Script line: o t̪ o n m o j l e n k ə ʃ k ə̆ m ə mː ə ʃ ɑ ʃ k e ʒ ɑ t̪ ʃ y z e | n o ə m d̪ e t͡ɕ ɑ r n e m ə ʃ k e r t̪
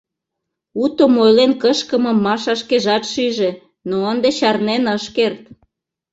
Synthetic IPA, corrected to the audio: u t̪ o m o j l e n k ə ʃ k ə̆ m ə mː ɑ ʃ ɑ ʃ k e ʒ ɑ t̪ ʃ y ʒ e | n o ə n d̪ e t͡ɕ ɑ r n e n ə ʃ k e r t̪